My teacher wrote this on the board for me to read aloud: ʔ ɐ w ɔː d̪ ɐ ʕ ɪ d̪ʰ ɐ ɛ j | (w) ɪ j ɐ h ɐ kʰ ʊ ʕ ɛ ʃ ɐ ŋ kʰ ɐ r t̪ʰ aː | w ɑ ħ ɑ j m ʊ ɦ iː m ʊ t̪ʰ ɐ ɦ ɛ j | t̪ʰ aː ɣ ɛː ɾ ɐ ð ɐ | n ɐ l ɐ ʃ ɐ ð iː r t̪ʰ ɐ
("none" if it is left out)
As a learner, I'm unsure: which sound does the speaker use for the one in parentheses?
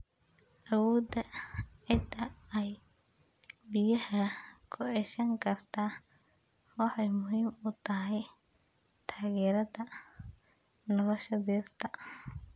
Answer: b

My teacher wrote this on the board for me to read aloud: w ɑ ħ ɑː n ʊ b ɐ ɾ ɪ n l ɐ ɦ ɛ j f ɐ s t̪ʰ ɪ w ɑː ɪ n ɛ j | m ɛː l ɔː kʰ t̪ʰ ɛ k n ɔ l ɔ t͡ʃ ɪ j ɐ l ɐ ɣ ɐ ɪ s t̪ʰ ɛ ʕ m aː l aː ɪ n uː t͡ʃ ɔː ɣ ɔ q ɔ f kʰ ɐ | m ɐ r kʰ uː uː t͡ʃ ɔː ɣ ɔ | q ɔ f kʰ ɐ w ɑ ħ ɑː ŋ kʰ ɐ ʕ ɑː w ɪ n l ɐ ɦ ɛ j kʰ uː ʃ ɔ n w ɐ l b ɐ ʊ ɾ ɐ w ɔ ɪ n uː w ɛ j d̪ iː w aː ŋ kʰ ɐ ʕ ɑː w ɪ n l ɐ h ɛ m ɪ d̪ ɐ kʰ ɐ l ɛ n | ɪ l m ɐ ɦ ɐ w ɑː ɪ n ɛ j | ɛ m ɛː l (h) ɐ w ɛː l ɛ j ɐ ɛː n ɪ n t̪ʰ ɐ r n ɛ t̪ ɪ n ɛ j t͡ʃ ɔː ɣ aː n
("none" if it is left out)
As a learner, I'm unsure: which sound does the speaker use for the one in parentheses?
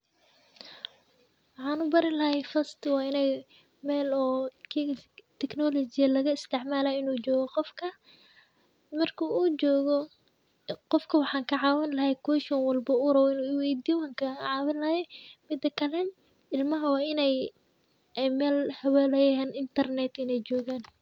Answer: h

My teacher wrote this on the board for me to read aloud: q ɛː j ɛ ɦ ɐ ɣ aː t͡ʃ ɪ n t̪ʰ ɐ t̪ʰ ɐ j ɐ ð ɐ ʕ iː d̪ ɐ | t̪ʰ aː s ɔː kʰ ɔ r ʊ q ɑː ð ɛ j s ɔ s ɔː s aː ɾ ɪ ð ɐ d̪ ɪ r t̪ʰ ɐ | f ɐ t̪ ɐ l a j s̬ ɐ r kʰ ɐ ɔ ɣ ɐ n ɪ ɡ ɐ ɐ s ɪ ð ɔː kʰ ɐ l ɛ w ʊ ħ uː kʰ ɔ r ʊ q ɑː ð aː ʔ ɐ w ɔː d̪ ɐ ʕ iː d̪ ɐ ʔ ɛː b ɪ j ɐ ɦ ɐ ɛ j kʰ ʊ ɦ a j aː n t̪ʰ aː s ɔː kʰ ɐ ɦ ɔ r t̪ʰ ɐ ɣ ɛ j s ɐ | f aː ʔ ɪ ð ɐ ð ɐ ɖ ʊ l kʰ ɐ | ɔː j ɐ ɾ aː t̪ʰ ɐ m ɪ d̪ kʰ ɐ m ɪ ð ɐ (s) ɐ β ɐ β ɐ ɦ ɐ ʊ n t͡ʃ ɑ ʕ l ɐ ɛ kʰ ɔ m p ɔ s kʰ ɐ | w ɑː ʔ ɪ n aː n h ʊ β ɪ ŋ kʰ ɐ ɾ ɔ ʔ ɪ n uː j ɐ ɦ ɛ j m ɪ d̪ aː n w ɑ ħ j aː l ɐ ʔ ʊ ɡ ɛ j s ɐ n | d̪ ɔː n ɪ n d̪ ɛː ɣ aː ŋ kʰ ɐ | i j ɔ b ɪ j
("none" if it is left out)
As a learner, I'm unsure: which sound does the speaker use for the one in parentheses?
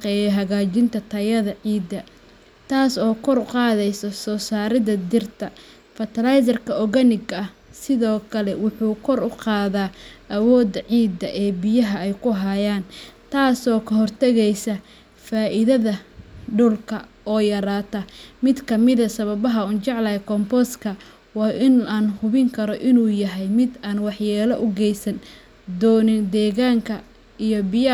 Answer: s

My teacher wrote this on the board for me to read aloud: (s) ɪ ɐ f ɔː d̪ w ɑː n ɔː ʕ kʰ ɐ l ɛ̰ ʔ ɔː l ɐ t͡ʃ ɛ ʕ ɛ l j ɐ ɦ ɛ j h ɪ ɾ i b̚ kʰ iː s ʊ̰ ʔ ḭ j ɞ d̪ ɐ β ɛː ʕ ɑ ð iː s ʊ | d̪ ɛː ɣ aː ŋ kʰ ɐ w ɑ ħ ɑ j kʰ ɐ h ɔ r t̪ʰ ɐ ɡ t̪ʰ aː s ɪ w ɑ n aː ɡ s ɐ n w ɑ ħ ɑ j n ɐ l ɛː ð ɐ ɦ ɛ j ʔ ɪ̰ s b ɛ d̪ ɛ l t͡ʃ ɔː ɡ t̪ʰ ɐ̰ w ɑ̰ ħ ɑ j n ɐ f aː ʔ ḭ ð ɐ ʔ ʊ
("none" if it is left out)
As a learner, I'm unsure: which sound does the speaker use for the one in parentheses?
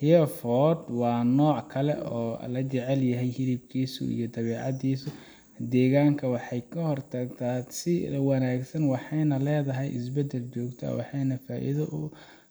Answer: h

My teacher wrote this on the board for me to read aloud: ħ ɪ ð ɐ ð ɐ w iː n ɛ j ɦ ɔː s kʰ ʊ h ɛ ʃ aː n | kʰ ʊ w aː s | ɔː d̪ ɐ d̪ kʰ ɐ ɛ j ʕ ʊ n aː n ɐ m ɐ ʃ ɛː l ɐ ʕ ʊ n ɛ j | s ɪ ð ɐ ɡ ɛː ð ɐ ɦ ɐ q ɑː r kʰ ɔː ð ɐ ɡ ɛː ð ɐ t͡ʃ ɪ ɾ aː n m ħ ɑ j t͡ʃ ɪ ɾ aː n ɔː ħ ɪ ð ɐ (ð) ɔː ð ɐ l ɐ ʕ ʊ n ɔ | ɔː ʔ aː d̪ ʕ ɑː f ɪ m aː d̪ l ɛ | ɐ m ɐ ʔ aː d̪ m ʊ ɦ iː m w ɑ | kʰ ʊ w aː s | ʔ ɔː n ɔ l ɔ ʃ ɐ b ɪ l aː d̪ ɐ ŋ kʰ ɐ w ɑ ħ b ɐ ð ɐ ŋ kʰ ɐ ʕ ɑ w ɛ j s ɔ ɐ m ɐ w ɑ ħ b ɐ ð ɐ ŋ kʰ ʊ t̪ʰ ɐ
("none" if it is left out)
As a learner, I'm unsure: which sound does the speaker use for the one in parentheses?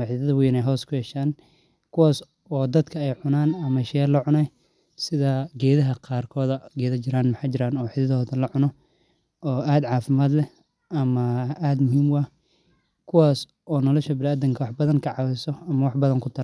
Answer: ð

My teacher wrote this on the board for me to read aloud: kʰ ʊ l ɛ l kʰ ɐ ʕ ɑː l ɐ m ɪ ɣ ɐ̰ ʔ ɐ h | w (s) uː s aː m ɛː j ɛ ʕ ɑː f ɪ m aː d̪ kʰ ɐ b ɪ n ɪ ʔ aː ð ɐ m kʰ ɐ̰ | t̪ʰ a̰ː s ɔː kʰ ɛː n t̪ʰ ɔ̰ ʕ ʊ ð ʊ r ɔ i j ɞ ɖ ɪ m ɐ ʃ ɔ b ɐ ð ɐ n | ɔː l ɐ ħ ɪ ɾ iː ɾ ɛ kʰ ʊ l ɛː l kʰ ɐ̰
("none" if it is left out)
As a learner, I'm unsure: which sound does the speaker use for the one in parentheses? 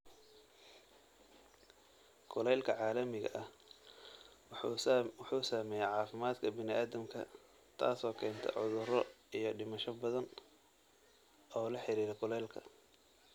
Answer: ħ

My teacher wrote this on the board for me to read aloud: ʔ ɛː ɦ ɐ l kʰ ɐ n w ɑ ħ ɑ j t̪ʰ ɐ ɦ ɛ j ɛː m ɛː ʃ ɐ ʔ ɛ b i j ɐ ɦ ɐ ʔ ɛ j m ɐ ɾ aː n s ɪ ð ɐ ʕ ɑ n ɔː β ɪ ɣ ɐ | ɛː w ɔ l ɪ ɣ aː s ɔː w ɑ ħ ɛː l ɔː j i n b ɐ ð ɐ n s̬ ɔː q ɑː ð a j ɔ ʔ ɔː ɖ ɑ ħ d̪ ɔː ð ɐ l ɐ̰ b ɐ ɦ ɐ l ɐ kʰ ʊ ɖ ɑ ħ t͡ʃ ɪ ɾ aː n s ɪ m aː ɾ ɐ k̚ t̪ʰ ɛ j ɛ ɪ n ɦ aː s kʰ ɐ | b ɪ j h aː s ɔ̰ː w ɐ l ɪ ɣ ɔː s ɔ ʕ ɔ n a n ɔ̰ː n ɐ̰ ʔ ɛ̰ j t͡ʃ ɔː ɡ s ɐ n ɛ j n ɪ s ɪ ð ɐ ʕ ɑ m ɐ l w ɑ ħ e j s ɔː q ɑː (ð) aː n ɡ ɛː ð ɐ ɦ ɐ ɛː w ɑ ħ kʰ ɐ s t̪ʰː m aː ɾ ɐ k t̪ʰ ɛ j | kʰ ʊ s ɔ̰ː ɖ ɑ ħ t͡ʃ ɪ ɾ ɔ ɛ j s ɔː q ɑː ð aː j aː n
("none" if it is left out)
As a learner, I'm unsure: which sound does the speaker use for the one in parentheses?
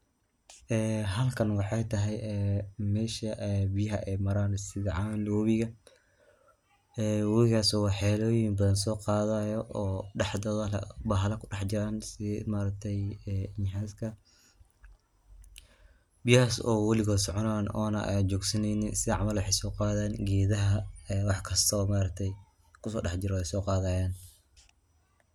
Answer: ð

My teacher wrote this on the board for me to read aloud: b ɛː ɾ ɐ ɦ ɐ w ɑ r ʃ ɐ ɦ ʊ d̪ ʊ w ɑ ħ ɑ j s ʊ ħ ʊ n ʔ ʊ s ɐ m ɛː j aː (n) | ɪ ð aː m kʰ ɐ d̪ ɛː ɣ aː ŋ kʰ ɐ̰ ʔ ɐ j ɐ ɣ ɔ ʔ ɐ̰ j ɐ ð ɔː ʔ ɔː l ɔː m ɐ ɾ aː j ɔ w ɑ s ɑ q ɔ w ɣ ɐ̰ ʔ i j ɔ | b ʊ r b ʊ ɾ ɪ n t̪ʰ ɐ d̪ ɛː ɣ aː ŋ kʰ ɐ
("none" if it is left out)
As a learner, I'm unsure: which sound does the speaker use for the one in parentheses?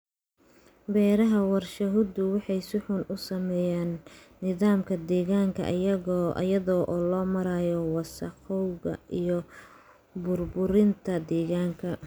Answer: nː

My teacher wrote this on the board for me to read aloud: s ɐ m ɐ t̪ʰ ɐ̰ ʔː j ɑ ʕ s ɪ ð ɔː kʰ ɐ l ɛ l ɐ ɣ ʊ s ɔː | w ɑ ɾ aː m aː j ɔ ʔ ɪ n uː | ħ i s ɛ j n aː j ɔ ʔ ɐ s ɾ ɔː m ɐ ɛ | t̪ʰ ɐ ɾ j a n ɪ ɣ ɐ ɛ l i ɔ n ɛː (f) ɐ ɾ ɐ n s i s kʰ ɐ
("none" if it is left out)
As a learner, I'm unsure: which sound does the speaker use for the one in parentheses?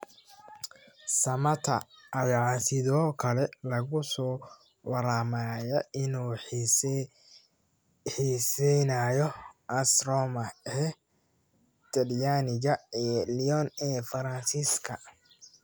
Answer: f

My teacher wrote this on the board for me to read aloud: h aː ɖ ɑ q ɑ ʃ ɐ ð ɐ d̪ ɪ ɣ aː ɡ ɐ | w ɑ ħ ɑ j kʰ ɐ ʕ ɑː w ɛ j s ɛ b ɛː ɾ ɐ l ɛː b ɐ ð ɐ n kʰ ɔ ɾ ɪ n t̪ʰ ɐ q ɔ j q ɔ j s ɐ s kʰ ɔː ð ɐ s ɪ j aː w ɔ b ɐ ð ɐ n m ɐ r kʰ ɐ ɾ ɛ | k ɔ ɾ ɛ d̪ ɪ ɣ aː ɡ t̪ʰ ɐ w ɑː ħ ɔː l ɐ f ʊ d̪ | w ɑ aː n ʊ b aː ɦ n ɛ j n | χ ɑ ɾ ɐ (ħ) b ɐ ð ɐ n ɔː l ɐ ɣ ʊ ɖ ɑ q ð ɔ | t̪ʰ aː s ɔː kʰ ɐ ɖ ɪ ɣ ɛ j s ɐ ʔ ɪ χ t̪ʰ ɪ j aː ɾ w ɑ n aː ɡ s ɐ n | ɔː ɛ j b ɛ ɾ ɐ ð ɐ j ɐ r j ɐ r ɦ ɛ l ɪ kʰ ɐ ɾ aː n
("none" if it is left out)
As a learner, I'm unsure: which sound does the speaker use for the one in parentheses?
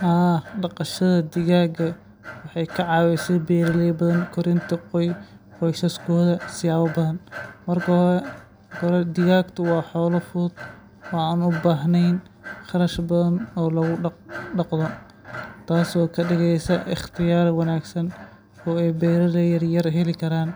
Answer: ʃ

